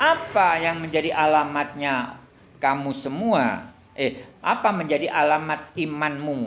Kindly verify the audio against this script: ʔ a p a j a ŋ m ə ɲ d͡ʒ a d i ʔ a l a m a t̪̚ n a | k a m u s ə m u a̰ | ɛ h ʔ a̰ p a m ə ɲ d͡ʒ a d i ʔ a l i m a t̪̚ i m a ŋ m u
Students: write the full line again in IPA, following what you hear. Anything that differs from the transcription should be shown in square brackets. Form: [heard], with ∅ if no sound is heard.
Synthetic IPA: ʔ a p a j a ŋ m ə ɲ d͡ʒ a d i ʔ a l a m a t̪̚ [ɲ] a | k a m u s ə m u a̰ | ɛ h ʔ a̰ p a m ə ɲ d͡ʒ a d i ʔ a l [a] m a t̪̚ i m a [n] m u